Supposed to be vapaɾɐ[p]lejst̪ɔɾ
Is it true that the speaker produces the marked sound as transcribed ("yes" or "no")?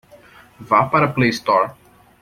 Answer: yes